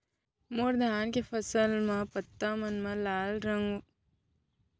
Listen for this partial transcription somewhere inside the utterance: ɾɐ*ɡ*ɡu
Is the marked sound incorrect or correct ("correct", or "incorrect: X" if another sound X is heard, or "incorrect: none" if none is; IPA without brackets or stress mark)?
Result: incorrect: ŋ